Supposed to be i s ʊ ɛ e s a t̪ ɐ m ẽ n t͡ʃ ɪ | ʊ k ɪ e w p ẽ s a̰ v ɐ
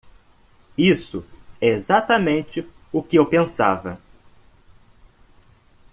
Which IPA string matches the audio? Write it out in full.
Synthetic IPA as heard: i s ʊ ɛ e z a t̪ ɐ m ẽ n t͡ʃ ɪ | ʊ k ɪ e w p ẽ s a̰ v ɐ

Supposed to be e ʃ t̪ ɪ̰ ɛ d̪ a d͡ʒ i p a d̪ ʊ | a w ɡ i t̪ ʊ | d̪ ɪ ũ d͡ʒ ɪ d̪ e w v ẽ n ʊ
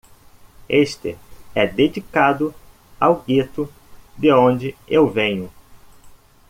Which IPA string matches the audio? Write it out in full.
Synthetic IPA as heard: e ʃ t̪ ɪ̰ ɛ d̪ e d͡ʒ i k a d̪ ʊ | a w ɡ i t̪ ʊ | d̪ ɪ õ d͡ʒ ɪ e w v ẽ ɲ ʊ

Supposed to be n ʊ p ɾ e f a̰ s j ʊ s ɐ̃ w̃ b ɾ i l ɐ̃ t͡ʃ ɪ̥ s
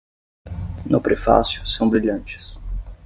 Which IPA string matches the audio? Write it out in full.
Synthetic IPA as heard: n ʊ p ɾ e f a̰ s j ʊ s ɐ̃ w̃ b ɾ i ʎ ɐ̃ t͡ʃ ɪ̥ s

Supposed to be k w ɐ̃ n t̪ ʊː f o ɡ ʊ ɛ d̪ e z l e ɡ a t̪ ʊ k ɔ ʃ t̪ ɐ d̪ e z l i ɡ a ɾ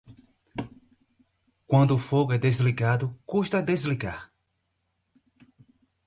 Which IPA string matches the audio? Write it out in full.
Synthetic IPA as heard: k w ɐ̃ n d̪ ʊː f o ɡ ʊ ɛ d̪ e z l i ɡ a d̪ ʊ k u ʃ t̪ ɐ d̪ e z l i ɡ a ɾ

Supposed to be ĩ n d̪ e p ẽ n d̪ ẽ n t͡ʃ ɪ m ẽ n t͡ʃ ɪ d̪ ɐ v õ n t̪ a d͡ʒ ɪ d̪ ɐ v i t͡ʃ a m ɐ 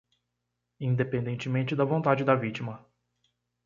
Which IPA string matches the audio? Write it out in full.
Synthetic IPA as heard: ĩ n d̪ e p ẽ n d̪ ẽ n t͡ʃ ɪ m ẽ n t͡ʃ ɪ d̪ ɐ v õ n t̪ a d͡ʒ ɪ d̪ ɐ v i t͡ʃ i m ɐ

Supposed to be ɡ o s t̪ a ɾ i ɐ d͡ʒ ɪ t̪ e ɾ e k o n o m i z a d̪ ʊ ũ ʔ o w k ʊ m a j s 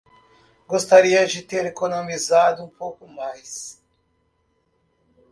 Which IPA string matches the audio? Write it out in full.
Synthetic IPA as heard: ɡ o s t̪ a ɾ i ɐ d͡ʒ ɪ t̪ e ɾ e k o n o m i z a d̪ ʊ ũ p o w k ʊ m a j s

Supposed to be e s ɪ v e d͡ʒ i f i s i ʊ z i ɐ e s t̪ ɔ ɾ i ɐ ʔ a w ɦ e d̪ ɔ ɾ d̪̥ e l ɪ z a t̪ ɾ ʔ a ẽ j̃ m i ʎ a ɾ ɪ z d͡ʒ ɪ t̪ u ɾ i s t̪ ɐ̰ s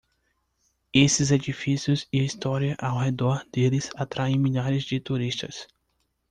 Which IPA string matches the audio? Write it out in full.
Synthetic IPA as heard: e s ɪ z e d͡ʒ i f i s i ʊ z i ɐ i s t̪ ɔ ɾ i ɐ ʔ a w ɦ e d̪ ɔ ɾ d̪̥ e l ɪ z a t̪ ɾ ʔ a ẽ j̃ m i ʎ a ɾ ɪ z d͡ʒ ɪ t̪ u ɾ i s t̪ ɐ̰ s

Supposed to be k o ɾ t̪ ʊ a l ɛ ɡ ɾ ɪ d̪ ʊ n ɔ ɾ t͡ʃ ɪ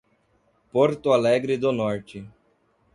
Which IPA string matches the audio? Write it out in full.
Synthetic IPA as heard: p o ɾ t̪ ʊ a l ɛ ɡ ɾ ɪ d̪ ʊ n ɔ ɾ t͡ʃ ɪ

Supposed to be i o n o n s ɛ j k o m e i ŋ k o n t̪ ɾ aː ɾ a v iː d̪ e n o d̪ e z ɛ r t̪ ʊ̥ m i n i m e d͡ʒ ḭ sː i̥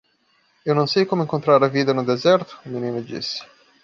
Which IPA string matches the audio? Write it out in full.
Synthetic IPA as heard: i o n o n s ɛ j k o m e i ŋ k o n t̪ ɾ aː ɾ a v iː d̪ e n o d̪ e z ɛ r t̪ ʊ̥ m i n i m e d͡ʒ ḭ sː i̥

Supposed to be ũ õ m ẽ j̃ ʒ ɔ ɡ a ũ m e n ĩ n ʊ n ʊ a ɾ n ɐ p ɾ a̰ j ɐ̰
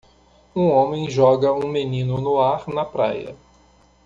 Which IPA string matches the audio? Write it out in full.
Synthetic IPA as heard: ũ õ m ẽ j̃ ʒ ɔ ɡ ɐ ũ m e n ĩ n ʊ n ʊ a ɾ n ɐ p ɾ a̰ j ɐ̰

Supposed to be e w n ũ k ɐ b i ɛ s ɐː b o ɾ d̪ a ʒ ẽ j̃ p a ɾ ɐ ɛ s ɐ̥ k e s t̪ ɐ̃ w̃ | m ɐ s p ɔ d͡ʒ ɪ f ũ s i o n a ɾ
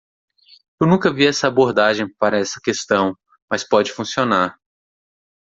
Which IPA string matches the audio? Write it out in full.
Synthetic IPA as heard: e w n ũ k ɐ v i ɛ s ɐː b o ɾ d̪ a ʒ ẽ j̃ p a ɾ ɐ ɛ s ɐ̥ k e s t̪ ɐ̃ w̃ | m ɐ s p ɔ d͡ʒ ɪ f ũ s i o n a ɾ

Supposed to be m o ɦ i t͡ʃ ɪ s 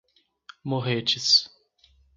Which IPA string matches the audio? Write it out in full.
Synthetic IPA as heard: m o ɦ e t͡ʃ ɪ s

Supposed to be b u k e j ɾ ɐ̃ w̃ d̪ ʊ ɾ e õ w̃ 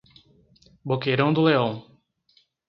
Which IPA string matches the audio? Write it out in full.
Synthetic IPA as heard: b o k e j ɾ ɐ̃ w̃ d̪ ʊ l e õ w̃

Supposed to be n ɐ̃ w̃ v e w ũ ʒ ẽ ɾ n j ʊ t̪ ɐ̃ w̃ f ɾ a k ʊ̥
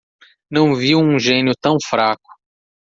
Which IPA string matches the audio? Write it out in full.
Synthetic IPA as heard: n ɐ̃ w̃ v i w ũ ʒ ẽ n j ʊ t̪ ɐ̃ w̃ f ɾ a k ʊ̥

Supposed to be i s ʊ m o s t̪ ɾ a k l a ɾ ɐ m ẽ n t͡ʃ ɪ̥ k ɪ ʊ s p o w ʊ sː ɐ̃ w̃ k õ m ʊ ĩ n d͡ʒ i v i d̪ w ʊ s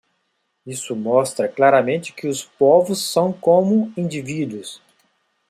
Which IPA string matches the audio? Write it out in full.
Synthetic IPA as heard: i s ʊ m ɔ s t̪ ɾ ɐ k l a ɾ ɐ m ẽ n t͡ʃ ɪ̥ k ɪ ʊ s p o v ʊ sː ɐ̃ w̃ k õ m ʊ ĩ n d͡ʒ i v i d̪ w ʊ s

